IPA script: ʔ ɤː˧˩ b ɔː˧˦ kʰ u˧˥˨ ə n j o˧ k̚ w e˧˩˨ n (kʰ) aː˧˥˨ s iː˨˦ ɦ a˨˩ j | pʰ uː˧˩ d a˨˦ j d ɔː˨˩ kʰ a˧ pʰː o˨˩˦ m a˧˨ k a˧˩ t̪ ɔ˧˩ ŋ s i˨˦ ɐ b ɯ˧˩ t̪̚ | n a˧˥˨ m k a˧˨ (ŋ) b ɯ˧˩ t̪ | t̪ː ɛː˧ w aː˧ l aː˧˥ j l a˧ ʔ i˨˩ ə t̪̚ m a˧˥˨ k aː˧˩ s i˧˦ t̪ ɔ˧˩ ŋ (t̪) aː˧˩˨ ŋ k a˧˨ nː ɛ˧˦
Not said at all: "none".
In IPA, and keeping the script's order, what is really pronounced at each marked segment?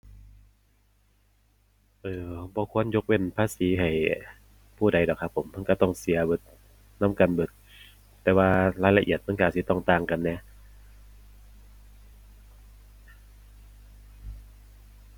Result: pʰ, n, t̪

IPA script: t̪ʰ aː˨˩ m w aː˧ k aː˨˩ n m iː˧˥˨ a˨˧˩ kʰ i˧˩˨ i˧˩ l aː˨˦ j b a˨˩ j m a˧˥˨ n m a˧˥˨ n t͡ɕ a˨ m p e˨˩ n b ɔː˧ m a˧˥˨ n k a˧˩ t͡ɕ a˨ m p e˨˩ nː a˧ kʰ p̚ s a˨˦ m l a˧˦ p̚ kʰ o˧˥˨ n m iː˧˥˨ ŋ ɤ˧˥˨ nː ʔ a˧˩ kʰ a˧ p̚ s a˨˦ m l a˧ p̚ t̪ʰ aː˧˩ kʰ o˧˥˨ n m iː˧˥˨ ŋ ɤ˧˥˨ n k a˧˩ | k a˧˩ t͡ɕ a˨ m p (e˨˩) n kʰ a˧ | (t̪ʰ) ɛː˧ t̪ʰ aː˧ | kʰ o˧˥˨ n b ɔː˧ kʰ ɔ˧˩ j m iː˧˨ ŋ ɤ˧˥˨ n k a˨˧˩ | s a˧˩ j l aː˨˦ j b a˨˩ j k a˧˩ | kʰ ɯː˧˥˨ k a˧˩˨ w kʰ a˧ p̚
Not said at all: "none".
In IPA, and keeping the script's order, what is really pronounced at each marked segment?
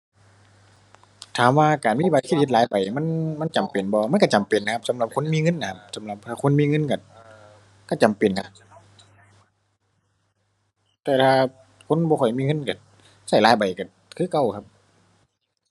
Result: e˨˩, t̪

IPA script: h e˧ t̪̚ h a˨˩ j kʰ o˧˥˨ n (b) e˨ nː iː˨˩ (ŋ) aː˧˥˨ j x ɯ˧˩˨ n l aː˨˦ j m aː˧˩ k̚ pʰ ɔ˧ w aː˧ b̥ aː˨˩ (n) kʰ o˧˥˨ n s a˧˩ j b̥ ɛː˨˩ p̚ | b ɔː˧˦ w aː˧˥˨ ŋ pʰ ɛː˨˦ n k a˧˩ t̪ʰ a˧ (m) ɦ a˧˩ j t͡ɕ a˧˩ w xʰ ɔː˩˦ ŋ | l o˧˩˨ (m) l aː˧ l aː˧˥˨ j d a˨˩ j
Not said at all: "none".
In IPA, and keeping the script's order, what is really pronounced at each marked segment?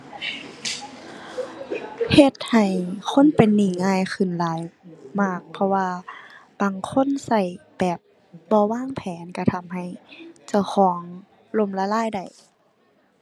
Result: p, ŋ, ŋ, m, m

